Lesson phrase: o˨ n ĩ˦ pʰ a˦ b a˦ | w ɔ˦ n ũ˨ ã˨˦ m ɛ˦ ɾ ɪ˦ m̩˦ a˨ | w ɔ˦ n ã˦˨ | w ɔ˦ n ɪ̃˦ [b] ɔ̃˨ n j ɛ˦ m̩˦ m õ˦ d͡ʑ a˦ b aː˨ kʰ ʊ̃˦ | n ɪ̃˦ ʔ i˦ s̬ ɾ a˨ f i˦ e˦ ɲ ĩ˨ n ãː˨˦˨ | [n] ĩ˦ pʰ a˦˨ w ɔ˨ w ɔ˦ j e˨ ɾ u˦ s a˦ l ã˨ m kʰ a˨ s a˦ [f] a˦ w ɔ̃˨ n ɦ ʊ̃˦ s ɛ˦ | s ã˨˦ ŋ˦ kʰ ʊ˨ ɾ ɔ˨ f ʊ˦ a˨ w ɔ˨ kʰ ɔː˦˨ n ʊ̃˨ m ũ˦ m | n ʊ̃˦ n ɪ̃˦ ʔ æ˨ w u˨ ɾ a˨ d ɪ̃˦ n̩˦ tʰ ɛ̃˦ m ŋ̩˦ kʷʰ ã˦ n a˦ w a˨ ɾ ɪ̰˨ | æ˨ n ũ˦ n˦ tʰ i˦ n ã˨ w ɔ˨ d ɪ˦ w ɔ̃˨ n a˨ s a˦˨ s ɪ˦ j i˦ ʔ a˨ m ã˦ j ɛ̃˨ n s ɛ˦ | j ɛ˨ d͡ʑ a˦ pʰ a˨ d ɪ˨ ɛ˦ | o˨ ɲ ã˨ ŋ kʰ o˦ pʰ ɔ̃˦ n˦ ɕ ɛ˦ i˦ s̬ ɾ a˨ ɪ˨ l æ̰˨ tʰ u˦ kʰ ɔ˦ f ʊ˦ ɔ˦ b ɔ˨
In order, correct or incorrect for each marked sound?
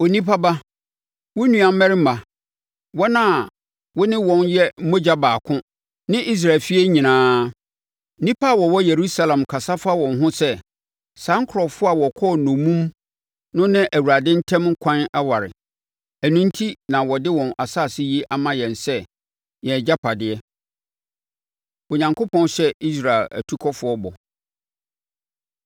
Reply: incorrect: w, correct, correct

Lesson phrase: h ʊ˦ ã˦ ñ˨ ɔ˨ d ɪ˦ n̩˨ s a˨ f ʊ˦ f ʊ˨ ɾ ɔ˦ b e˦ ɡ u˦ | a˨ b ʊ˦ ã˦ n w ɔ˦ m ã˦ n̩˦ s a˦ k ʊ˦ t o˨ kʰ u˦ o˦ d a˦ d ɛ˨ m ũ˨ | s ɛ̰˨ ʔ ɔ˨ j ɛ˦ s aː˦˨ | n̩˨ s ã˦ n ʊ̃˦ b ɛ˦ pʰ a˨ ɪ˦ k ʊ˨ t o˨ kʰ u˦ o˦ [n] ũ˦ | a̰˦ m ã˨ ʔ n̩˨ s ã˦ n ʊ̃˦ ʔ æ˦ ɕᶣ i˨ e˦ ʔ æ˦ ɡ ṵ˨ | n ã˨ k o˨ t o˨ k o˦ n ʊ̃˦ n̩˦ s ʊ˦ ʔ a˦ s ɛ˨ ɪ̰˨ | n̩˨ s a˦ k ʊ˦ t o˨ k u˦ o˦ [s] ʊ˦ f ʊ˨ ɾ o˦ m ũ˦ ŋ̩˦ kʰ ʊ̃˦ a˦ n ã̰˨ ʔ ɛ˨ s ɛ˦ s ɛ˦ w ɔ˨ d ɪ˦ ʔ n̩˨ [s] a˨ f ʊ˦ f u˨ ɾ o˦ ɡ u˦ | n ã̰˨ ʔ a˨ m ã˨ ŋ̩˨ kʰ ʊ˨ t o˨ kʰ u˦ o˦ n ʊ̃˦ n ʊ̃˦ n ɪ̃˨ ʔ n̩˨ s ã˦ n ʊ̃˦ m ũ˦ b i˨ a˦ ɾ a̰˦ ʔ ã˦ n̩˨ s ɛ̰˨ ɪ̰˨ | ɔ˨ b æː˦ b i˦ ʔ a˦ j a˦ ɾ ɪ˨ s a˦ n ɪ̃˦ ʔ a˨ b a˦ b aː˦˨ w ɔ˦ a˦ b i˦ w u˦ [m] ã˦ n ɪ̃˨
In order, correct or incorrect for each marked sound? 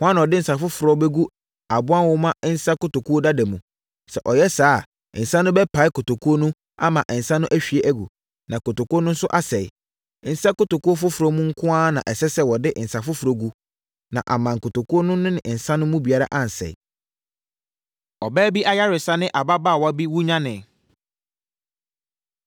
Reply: correct, incorrect: f, correct, incorrect: ɲ

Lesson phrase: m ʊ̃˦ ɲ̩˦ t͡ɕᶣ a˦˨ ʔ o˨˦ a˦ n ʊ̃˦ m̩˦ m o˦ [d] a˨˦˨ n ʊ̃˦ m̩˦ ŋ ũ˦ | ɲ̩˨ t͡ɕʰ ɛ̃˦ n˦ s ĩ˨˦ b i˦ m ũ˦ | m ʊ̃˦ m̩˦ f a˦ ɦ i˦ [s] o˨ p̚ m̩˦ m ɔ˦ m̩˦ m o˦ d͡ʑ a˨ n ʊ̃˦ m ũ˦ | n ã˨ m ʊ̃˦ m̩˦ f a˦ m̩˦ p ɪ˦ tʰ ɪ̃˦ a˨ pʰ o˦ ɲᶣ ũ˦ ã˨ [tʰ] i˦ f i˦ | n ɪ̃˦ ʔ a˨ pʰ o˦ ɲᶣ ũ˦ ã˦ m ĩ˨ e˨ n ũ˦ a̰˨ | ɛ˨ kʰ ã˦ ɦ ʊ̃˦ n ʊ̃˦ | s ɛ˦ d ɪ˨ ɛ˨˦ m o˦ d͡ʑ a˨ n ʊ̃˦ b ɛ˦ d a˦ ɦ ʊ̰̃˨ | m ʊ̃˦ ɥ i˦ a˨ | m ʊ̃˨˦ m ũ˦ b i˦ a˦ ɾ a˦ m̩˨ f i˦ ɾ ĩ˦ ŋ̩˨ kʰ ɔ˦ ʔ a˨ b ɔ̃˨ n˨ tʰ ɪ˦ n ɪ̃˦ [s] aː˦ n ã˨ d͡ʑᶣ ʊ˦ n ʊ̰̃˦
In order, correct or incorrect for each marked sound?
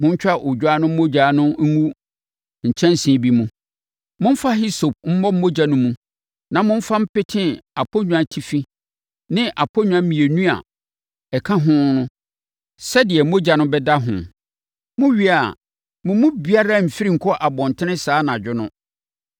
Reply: incorrect: d͡ʑ, correct, correct, correct

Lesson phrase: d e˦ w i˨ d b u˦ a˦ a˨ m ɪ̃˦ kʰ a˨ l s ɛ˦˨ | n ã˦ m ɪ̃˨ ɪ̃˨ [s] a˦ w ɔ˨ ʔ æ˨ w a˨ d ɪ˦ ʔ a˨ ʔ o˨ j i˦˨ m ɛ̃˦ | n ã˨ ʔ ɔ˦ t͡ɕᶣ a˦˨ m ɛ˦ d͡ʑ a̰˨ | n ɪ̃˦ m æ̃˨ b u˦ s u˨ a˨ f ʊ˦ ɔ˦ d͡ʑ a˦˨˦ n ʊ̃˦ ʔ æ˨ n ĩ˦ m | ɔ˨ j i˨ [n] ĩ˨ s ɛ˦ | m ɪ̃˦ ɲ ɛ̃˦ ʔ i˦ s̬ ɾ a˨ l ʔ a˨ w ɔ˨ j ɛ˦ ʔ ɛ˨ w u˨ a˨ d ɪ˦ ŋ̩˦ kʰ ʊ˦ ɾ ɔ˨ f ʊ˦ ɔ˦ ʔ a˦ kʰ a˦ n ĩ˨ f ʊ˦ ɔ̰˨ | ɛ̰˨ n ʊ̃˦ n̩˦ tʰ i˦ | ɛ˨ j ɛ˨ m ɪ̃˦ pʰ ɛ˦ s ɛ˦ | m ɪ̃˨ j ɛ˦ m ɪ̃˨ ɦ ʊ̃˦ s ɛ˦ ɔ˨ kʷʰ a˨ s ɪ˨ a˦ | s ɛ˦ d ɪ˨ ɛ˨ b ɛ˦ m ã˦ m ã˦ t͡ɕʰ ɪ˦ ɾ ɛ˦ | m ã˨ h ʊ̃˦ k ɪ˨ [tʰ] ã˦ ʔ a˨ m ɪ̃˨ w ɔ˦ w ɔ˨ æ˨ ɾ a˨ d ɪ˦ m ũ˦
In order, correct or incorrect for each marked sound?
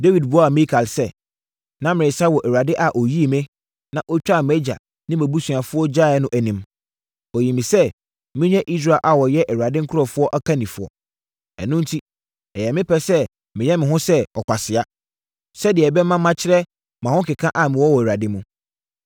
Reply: correct, incorrect: m, incorrect: kʰ

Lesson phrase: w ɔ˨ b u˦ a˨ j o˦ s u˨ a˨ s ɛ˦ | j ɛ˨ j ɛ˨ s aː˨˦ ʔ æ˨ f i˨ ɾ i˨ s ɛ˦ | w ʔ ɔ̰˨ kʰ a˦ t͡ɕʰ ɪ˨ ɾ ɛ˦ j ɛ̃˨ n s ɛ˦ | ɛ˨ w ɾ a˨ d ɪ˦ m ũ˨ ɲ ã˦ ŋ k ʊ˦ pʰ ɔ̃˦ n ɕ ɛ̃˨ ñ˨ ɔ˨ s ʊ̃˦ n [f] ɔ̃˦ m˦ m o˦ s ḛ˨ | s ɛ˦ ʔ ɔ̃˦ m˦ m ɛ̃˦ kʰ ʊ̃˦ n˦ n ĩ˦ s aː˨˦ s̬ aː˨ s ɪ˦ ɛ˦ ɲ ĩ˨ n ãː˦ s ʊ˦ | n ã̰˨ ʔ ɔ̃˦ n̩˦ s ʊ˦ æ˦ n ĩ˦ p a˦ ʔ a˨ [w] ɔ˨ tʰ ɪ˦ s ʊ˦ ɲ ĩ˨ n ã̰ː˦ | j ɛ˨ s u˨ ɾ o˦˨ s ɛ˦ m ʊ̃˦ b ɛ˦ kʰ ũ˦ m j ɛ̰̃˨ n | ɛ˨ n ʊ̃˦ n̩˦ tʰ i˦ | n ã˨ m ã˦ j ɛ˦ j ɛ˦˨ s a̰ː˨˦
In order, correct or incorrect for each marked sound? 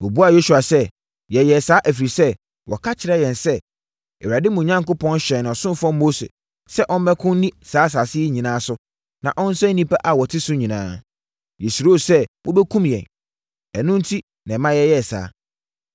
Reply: correct, correct

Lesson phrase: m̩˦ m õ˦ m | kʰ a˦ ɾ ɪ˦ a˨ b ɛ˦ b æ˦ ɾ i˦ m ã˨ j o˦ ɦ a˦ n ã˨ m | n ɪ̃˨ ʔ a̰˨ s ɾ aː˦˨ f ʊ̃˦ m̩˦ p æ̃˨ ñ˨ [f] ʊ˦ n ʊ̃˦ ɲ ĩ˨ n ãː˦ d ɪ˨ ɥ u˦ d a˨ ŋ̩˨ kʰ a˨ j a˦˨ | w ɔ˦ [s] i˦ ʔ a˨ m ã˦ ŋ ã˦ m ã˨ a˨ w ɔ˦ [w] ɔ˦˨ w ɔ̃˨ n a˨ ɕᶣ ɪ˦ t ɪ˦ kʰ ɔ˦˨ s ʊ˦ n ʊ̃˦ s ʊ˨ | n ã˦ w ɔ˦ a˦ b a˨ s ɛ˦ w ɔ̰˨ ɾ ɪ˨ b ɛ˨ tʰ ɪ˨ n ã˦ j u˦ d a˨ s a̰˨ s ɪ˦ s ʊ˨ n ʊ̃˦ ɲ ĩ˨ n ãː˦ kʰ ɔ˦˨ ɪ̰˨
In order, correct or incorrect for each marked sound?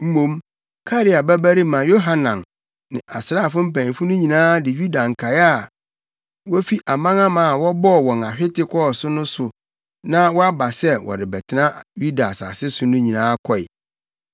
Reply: correct, incorrect: f, incorrect: b

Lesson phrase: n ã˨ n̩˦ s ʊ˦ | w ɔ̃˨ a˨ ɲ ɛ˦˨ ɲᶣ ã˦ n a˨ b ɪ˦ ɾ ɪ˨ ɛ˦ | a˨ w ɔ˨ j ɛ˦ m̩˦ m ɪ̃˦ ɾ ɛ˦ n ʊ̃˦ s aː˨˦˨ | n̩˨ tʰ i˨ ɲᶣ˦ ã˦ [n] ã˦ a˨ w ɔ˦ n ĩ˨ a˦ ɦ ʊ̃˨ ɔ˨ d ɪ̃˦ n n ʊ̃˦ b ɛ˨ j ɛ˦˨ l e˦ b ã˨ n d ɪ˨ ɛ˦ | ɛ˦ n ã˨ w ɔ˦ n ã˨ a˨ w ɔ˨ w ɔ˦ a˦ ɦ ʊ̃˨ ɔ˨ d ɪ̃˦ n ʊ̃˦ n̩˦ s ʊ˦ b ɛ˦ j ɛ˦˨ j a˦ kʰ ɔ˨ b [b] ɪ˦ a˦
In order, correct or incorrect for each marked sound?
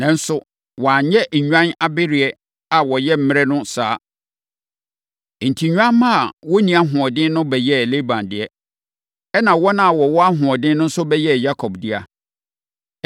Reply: incorrect: m, incorrect: d

